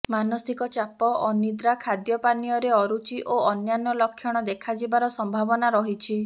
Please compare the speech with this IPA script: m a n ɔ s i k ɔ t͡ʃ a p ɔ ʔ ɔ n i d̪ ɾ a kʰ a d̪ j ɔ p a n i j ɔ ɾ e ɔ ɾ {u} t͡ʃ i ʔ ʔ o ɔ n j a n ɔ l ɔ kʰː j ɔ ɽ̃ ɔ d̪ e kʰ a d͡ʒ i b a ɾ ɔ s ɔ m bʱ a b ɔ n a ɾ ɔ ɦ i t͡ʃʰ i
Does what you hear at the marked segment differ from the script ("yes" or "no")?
no